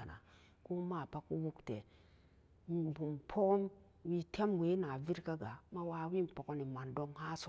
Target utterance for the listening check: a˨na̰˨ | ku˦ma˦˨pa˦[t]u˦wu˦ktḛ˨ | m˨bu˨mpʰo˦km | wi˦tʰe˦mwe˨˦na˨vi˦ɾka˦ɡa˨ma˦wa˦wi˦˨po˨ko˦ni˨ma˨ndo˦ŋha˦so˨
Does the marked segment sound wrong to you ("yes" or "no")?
yes